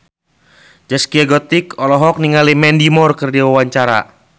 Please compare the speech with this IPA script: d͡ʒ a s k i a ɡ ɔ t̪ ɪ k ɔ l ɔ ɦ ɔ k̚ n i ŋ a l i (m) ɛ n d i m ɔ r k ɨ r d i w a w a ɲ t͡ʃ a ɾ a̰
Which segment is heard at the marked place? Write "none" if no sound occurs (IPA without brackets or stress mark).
m